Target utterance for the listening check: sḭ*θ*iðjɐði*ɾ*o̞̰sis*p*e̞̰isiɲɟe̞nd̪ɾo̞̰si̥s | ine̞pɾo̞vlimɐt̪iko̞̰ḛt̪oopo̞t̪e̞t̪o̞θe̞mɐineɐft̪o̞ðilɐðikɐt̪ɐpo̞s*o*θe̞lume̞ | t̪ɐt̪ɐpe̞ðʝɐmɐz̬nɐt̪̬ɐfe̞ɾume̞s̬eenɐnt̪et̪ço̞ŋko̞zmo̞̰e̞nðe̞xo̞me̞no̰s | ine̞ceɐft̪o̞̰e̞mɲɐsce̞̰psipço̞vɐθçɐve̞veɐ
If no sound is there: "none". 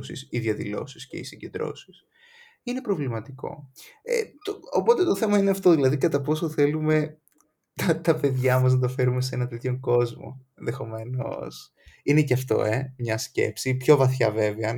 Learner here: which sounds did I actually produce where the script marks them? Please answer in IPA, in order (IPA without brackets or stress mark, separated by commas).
s, l, c, o